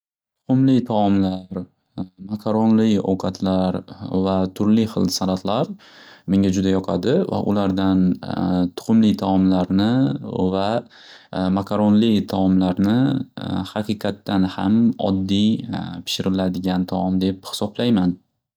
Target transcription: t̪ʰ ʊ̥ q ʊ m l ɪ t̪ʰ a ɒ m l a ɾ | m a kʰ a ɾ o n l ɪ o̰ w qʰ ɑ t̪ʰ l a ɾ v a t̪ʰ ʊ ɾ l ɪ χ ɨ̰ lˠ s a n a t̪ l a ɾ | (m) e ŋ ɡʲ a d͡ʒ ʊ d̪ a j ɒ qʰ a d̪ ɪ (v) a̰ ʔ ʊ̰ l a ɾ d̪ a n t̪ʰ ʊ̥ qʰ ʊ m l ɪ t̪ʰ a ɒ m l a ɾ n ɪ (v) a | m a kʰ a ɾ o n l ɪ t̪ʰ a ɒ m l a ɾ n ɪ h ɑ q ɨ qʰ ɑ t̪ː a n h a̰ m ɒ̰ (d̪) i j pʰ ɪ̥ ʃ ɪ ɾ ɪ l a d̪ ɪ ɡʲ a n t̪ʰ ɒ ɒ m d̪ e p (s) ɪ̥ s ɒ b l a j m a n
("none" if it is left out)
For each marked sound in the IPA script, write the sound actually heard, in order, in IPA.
m, v, v, d̪ː, h

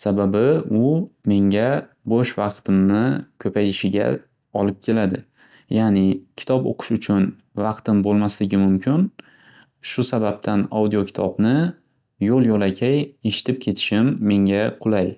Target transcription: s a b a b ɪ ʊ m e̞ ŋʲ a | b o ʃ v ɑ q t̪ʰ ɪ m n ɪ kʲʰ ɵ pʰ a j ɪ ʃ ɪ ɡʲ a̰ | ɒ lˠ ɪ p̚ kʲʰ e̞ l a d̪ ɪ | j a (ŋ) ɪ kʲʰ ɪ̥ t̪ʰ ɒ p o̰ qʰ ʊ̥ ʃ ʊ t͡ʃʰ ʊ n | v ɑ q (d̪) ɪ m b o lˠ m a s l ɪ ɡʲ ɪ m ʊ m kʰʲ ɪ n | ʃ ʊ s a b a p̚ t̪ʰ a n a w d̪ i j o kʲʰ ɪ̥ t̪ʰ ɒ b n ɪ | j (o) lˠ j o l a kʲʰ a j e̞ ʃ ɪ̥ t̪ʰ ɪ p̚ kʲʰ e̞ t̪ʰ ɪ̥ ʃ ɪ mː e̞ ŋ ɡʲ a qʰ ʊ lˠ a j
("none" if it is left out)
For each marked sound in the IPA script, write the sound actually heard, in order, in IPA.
n, t̪, o

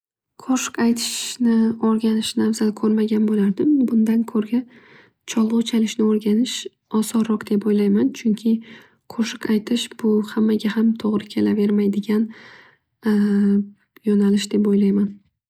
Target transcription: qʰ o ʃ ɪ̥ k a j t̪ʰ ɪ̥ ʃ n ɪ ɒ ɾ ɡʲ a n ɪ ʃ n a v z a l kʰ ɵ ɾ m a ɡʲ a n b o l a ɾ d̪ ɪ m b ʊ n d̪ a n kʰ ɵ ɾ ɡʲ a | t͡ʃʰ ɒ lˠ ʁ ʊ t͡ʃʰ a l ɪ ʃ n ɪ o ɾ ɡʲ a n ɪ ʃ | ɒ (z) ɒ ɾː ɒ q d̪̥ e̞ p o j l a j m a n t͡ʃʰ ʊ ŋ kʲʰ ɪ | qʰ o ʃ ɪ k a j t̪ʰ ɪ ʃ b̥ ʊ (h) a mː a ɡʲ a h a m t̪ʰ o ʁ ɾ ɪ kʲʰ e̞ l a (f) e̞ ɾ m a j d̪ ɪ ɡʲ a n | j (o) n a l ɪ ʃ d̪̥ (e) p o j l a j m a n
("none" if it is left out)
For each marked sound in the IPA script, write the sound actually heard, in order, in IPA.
s, h, v, ɒ, e

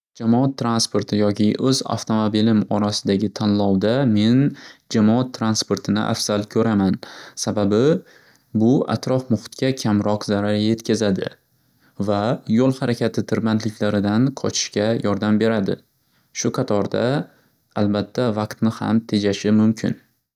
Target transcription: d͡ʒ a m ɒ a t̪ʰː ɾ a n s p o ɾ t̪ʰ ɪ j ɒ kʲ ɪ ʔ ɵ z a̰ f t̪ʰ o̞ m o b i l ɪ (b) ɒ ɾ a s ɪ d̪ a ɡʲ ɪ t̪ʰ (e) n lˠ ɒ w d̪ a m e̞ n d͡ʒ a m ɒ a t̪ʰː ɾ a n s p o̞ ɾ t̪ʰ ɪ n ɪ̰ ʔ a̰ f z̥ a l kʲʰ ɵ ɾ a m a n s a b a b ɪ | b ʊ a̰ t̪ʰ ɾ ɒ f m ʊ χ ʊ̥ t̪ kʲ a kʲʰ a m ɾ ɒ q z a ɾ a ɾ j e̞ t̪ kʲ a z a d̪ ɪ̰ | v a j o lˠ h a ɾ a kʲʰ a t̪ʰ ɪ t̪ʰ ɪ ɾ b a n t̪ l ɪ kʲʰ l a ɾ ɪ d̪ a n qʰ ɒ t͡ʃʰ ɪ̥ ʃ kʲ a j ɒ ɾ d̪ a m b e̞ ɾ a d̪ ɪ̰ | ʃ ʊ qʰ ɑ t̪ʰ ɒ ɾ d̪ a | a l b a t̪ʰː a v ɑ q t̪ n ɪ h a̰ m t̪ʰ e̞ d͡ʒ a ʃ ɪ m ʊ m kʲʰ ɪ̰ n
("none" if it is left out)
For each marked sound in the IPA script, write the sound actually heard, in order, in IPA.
m, a

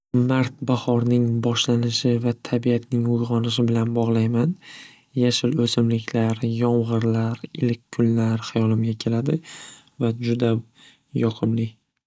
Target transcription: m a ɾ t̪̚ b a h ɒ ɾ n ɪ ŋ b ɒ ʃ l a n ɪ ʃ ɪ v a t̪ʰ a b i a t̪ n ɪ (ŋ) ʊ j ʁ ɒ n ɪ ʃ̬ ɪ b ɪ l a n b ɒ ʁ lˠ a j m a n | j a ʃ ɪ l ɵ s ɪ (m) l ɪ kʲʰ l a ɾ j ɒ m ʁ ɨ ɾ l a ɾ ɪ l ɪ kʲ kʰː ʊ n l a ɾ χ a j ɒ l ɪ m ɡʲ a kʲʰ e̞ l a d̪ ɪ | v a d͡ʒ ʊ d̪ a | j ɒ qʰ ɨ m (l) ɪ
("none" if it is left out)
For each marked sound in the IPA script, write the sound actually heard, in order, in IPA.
ŋ, m, l

